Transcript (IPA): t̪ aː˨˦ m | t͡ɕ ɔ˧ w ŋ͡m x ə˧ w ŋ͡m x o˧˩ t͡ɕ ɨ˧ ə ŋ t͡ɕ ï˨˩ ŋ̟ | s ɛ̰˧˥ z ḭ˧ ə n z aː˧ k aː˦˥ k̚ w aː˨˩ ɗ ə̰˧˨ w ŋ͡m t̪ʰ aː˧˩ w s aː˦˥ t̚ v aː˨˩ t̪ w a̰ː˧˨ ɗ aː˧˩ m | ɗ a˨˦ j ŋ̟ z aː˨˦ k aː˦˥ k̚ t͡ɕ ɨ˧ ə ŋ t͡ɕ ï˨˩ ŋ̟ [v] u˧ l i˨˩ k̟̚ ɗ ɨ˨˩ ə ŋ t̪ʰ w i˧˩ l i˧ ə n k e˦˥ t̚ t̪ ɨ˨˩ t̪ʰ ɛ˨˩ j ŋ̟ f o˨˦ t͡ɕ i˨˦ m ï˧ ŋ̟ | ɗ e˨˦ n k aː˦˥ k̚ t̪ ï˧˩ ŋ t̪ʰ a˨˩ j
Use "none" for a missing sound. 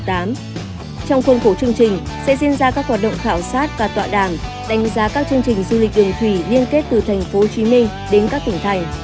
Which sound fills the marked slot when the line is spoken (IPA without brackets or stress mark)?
z